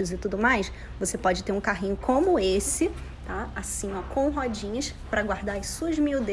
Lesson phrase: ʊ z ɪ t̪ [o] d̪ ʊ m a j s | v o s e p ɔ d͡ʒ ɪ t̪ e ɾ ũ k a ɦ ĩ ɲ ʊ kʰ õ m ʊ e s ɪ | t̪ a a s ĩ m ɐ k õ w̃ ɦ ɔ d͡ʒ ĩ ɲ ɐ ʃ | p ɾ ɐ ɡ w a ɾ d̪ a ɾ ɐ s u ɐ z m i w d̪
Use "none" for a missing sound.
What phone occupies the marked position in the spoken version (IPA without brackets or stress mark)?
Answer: u